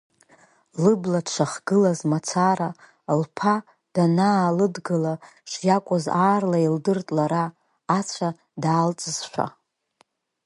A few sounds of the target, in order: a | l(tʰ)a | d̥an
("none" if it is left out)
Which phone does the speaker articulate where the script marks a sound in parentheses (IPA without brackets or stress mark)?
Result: pʰ